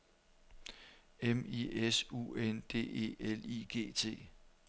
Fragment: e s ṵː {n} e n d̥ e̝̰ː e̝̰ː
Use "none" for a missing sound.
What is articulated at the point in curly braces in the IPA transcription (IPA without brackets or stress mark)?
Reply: none